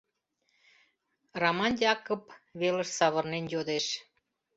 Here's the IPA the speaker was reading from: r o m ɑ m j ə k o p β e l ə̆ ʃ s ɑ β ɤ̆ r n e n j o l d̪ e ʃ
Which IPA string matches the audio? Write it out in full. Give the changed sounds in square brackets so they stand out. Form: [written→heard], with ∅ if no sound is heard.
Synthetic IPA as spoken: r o m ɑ [m→n] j [ə→ɑ] k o p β e l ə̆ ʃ s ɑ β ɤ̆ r n e n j o [l→∅] d̪ e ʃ